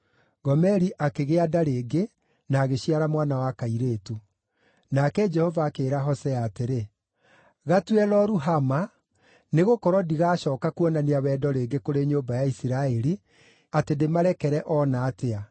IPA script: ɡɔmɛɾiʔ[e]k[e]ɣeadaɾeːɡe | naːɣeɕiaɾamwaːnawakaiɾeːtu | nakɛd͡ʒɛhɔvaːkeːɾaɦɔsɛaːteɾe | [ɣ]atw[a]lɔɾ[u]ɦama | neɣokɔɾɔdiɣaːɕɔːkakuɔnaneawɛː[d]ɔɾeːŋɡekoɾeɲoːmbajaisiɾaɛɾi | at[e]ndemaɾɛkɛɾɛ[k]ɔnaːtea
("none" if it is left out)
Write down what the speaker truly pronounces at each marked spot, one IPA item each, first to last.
a, e, ɣ, ɛ, u, d, e, ʔ

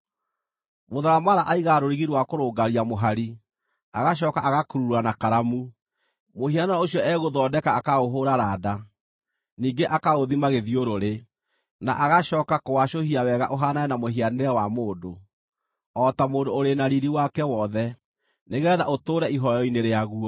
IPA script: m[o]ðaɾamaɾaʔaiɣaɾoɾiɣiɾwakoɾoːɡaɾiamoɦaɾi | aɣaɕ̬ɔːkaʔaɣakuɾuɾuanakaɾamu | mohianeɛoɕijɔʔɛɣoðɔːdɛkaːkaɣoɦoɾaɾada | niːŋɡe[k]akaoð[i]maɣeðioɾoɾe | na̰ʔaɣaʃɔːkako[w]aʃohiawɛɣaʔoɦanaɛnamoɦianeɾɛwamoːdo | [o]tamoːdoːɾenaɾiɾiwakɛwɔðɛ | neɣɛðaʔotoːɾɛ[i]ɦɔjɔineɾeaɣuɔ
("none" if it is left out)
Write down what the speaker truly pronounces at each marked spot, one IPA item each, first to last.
o, ʔ, i, w, ɔ, i

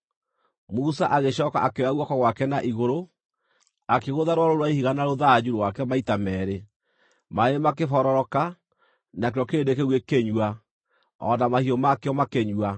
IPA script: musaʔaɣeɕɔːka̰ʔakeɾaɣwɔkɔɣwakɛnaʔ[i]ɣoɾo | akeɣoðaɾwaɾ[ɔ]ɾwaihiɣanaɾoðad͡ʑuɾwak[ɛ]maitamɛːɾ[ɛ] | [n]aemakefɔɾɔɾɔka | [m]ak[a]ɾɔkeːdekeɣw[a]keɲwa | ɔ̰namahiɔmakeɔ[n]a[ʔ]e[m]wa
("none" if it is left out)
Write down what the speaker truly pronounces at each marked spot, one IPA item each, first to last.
i, o, ɛ, e, m, n, e, e, m, k, ɲ

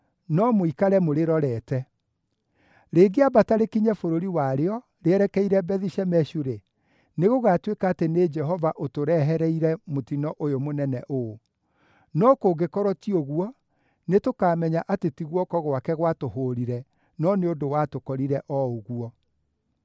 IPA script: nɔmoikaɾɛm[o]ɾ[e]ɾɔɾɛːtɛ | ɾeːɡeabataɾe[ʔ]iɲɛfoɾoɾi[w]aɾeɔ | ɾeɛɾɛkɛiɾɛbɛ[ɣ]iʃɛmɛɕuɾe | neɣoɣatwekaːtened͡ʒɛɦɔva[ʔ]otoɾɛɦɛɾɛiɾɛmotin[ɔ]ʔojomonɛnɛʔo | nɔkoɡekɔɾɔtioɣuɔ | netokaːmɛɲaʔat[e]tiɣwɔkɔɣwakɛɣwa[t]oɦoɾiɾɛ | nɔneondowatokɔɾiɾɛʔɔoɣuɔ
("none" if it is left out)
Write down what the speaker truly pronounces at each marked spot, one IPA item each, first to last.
o, e, k, w, ð, ʔ, ɔ, e, t

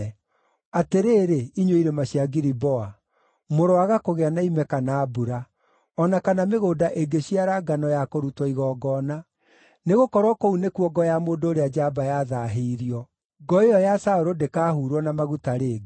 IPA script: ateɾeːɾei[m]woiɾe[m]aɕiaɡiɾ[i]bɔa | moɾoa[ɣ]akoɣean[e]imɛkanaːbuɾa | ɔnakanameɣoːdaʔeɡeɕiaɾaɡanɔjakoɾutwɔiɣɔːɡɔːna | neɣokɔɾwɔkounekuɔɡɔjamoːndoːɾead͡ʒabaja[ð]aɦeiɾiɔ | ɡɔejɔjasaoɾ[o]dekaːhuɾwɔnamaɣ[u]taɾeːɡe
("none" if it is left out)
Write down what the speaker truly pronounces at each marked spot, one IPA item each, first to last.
ɲ, m, i, ɣ, a, ð, o, u

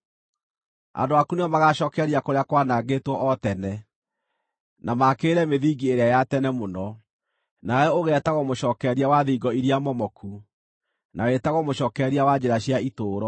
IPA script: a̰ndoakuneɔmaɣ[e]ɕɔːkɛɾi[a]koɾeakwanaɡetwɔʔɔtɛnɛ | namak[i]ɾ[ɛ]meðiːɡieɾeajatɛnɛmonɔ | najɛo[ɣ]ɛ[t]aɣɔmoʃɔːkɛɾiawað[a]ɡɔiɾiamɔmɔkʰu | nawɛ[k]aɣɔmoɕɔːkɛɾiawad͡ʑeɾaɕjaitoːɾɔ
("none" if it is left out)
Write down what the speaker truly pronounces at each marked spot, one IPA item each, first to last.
a, a, e, ɛ, ɣ, t, i, t

